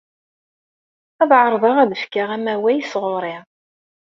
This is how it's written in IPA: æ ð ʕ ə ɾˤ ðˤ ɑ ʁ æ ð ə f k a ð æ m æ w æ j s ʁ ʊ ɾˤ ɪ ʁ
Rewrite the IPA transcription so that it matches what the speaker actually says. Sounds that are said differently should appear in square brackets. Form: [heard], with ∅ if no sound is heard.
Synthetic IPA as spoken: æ ð ʕ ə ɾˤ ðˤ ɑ ʁ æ ð ə f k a [ʁ] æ m æ w æ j s ʁ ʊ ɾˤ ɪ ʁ